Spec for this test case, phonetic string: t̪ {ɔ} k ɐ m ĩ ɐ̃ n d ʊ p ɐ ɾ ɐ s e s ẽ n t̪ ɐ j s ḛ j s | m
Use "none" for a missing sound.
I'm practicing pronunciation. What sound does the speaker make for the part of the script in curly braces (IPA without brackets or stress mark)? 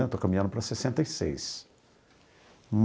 o